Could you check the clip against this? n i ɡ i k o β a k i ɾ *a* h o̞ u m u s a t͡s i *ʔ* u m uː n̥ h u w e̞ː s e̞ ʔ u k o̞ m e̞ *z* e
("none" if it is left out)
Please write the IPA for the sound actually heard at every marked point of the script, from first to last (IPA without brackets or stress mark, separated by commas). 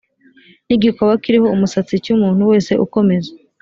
i, c, z